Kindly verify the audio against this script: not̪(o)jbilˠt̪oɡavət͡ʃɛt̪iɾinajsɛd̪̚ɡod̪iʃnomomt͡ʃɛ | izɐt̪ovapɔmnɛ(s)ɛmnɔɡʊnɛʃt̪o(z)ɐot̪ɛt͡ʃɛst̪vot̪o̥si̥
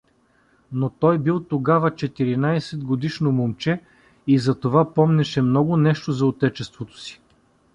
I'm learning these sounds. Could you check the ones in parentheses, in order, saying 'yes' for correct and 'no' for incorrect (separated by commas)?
no, no, yes